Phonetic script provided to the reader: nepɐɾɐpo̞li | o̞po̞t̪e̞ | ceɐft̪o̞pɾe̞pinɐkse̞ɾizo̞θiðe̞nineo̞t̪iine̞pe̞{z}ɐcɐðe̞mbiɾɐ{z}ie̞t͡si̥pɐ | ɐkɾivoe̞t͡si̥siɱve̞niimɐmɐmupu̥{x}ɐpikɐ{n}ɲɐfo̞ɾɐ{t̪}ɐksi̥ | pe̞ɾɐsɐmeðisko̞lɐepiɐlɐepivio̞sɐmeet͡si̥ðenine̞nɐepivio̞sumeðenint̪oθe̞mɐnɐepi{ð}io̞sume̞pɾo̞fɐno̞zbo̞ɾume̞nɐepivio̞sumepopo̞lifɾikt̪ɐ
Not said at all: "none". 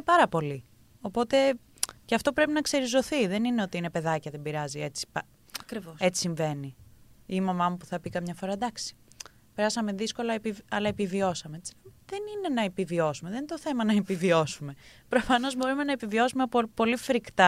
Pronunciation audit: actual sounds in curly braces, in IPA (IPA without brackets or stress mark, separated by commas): ð, z, θ, m, d̪, v